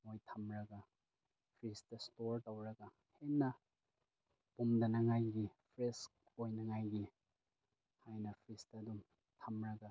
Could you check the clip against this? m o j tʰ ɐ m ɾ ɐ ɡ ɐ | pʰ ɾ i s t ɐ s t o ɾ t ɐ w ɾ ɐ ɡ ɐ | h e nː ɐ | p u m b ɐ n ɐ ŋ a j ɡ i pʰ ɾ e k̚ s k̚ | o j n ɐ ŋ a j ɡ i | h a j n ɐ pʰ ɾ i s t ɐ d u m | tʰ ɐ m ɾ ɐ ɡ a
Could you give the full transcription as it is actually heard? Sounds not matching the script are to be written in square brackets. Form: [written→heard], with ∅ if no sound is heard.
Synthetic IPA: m o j tʰ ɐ m ɾ ɐ ɡ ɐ | pʰ ɾ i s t ɐ s t o ɾ t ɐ w ɾ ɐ ɡ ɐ | h e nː ɐ | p u m [b→d] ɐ n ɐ ŋ a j ɡ i pʰ ɾ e [k̚→∅] s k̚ | o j n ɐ ŋ a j ɡ i | h a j n ɐ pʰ ɾ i s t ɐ d u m | tʰ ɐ m ɾ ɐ ɡ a